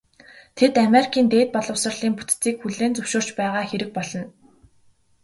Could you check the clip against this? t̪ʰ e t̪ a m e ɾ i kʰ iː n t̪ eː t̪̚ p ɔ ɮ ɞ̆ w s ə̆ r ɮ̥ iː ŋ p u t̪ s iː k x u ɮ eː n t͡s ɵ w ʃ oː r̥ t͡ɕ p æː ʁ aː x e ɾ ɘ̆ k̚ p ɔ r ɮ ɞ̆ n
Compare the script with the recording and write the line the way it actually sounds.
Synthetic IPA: t̪ʰ e t̪ a m e ɾ i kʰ iː n t̪ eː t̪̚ p ɔ ɮ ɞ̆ w s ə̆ r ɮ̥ iː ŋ p u t̪ t͡s iː k x u ɮ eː n t͡s ɵ w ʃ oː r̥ t͡ɕ p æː ʁ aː x e ɾ ɘ̆ k̚ p ɔ ɮ ɞ̆ n